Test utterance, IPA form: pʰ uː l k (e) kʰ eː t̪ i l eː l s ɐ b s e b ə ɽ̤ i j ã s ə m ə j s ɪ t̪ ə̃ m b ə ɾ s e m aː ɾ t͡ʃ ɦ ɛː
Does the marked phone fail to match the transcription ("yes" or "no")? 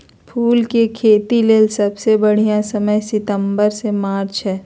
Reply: no